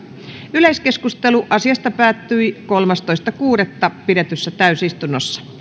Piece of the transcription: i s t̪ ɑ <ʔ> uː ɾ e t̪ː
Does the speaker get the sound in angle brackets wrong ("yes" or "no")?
yes